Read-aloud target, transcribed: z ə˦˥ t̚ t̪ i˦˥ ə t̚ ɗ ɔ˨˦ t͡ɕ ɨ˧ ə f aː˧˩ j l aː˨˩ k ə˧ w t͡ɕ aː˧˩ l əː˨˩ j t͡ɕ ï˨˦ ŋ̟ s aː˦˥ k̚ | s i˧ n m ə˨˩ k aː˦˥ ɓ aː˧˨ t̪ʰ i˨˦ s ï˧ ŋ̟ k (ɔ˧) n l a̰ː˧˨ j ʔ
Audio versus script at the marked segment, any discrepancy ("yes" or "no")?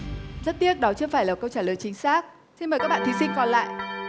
no